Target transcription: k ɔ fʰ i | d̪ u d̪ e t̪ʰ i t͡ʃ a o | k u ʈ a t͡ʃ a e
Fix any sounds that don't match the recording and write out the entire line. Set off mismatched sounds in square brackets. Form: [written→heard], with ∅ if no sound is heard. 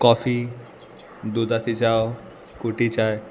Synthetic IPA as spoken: k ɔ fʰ i | d̪ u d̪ [e→a] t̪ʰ i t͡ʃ a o | k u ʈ [a→i] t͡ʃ a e